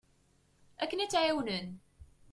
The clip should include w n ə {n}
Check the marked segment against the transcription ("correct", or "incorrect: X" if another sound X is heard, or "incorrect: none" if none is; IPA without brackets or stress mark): correct